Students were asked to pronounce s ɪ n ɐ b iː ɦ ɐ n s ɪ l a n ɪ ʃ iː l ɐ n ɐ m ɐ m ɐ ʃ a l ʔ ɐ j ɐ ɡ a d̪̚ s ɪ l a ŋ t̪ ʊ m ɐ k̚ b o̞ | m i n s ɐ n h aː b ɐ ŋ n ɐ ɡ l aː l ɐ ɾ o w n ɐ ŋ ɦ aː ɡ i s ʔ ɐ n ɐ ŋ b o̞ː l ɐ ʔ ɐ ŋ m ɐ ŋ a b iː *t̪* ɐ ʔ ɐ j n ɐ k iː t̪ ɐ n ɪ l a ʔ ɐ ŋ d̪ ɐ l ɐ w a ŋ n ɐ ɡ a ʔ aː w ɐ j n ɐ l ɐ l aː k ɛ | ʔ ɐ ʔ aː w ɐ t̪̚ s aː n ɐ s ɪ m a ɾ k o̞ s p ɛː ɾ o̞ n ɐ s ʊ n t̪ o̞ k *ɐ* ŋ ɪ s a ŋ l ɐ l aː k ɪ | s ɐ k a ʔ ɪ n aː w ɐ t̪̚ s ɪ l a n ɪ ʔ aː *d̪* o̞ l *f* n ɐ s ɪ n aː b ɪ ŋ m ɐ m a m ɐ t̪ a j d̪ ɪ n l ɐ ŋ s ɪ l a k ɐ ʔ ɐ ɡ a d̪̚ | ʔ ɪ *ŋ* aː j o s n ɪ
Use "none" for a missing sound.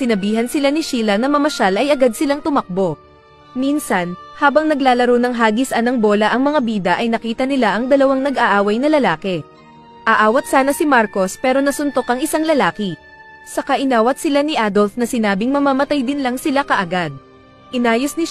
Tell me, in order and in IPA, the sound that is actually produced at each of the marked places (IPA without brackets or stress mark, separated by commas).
d̪, ɐ, d̪, f, n